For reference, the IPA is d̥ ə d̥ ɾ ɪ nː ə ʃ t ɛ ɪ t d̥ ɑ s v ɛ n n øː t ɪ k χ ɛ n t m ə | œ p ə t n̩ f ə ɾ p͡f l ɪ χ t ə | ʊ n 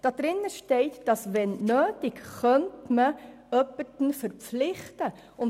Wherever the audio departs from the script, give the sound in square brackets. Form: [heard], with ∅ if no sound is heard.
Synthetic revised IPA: d̥ [ɑ] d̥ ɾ ɪ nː ə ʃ t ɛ ɪ t d̥ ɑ s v ɛ n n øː t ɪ k χ [œ] n t m ə | œ p ə t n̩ f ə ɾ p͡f l ɪ χ t ə | ʊ n

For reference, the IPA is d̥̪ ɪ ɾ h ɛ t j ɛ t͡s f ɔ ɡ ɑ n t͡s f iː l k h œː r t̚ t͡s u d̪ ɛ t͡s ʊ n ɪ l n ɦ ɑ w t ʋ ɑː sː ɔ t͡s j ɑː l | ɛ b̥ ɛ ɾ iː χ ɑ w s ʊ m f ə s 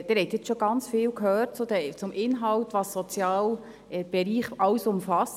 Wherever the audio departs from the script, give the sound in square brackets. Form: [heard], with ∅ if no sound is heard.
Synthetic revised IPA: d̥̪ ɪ ɾ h ɛ t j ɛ t͡s [ʃ] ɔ ɡ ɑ n t͡s f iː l k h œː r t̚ t͡s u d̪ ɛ t͡s ʊ [m] ɪ [∅] n ɦ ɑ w t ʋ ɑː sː ɔ t͡s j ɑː l | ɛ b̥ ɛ ɾ iː χ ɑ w s ʊ m f [ɑ] s

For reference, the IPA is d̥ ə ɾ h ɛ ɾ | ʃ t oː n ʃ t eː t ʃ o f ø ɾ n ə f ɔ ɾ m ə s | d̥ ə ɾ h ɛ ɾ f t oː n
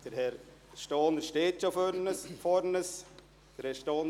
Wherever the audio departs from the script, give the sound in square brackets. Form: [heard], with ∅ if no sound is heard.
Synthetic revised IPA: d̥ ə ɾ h ɛ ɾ | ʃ t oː n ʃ t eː t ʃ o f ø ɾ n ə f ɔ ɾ [n] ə s | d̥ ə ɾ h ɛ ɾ [ʃ] t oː n

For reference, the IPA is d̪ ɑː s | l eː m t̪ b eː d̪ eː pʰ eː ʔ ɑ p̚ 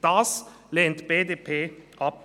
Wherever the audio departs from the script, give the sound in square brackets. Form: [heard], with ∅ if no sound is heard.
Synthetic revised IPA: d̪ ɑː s | l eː [n] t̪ b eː d̪ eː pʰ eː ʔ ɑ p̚

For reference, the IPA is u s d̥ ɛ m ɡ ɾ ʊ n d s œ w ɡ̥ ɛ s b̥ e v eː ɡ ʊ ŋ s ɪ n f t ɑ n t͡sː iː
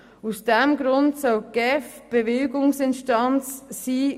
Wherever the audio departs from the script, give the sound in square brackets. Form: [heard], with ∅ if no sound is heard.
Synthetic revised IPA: u s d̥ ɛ m ɡ ɾ ʊ n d s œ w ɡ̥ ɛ [f] b̥ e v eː ɡ ʊ ŋ s ɪ n [ʃ] t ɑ n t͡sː iː

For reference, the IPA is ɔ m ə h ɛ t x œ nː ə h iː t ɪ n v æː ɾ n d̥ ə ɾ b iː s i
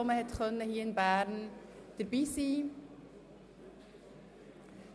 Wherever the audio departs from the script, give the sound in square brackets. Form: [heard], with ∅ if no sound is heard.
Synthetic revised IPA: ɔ m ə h ɛ t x œ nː ə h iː [∅] ɪ n [b] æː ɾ n d̥ ə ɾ b iː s [iː]

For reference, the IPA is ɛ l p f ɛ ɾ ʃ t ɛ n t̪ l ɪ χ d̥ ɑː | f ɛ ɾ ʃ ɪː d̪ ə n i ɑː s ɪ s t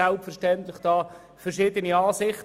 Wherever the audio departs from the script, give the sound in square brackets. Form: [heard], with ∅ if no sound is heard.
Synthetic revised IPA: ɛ l p f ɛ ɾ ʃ t ɛ n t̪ l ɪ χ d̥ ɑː | f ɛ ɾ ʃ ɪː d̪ ə n i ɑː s ɪ [χ] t

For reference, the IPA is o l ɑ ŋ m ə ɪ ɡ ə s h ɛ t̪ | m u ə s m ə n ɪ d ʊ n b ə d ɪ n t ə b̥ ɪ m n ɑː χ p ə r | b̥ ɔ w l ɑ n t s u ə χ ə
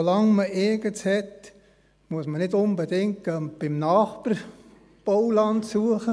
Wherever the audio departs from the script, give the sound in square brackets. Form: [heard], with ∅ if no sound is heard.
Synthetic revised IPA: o l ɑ ŋ m ə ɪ ɡ ə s h ɛ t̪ | m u ə s m ə n ɪ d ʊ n b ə d ɪ [ŋ] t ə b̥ ɪ m n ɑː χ p ə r | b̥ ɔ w l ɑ n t s u ə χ ə

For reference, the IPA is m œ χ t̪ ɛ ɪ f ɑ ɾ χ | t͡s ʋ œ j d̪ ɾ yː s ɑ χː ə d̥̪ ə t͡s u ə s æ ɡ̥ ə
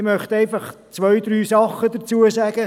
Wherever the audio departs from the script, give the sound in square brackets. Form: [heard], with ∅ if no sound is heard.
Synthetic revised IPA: m œ χ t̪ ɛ ɪ f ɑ [∅] χ | t͡s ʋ œ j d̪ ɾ yː s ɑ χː ə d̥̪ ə t͡s u ə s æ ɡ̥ ə

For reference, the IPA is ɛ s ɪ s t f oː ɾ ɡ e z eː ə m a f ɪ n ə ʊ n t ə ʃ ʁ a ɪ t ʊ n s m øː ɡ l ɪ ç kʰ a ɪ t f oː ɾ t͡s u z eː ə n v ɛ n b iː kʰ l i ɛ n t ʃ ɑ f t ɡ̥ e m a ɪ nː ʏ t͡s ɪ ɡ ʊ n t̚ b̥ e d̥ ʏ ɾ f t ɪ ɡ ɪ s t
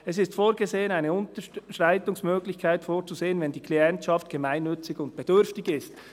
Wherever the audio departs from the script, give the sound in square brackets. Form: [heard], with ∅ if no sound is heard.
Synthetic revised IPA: ɛ s ɪ s t f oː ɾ ɡ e z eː ə [n] a [∅] ɪ n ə ʊ n t ə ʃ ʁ a ɪ t ʊ [ŋ] s m øː ɡ l ɪ ç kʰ a ɪ t f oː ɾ t͡s u z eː ə n v ɛ n [d] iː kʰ l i ɛ n t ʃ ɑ f t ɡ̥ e m a ɪ nː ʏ t͡s ɪ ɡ ʊ n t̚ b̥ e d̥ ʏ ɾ f t ɪ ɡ ɪ s t

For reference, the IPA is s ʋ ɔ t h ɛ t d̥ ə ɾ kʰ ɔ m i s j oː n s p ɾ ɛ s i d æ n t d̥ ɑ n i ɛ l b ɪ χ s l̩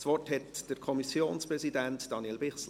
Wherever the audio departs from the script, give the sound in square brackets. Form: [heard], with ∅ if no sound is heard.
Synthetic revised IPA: s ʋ ɔ t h ɛ t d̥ ə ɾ kʰ ɔ m i s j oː n s p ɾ ɛ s i d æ n t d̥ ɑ n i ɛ l b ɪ χ s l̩

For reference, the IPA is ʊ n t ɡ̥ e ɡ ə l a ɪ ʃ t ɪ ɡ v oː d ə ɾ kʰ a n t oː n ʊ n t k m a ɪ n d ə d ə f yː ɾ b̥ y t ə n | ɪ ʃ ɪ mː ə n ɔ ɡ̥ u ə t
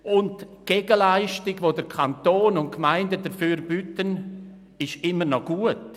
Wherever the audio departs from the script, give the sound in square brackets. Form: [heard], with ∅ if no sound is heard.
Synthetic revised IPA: ʊ n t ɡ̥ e ɡ ə l a ɪ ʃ t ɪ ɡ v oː d ə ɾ kʰ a n t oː n ʊ n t k m a ɪ n d ə d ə f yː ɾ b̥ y t ə n | ɪ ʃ ɪ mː ə n ɔ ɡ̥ u ə t

